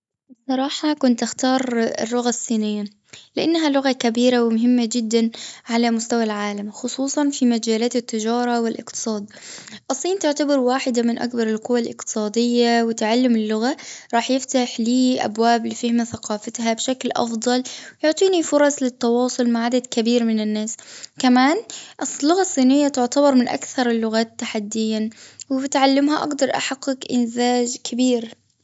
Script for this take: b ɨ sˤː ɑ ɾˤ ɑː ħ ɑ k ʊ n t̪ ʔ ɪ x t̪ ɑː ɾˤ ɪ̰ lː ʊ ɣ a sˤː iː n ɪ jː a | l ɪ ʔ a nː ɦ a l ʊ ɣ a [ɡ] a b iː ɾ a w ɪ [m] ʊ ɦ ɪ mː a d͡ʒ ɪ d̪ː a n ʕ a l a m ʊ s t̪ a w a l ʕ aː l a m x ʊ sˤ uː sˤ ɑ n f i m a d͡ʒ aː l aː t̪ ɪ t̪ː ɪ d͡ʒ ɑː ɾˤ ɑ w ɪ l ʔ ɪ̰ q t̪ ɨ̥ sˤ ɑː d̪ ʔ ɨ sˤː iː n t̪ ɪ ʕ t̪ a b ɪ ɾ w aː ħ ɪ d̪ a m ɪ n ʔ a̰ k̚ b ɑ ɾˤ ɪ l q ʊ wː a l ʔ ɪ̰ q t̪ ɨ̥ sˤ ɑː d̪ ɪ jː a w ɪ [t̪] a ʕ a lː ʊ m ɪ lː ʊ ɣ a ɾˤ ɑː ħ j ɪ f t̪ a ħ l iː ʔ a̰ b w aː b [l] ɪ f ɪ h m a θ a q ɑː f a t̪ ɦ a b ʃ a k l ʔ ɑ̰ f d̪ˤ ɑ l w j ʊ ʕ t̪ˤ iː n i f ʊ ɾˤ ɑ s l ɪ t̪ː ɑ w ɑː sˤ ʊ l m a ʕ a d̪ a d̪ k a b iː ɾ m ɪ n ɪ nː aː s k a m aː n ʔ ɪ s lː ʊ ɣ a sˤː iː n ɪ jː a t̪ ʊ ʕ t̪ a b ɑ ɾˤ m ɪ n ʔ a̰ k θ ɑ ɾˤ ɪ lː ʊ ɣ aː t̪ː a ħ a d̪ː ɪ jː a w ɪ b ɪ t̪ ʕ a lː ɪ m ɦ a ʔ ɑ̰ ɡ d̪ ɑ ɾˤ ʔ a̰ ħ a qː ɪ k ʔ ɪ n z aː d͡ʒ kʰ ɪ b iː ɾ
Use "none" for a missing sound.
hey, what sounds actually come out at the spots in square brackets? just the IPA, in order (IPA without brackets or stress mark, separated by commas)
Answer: k, m, t̪, l